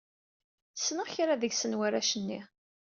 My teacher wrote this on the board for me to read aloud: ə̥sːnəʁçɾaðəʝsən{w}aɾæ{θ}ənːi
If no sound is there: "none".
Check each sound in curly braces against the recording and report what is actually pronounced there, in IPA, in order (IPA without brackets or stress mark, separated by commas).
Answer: w, ʃ